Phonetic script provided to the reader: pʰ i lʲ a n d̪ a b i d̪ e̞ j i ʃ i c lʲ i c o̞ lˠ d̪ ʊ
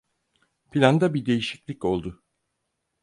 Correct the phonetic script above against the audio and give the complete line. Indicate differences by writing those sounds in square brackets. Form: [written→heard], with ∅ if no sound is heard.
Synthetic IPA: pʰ i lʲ a n d̪ a b i d̪ e̞ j i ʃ i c lʲ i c o̞ lˠ d̪ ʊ